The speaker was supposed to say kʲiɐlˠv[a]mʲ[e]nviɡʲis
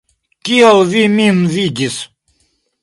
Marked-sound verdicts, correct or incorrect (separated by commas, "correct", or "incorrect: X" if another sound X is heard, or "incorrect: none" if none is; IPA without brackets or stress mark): incorrect: i, incorrect: i